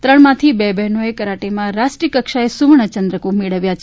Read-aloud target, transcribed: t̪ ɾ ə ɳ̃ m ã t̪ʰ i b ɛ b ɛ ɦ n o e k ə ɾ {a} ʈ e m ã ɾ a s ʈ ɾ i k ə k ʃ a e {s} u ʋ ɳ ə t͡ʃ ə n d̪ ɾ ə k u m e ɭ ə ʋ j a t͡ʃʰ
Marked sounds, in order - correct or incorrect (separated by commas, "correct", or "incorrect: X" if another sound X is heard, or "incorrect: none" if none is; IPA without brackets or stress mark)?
correct, correct